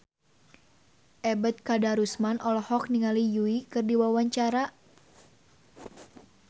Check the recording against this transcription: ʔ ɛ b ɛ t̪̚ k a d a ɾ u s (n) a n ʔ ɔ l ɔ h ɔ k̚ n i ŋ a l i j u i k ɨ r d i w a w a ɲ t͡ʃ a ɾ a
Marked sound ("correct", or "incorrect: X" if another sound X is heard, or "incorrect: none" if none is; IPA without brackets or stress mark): incorrect: m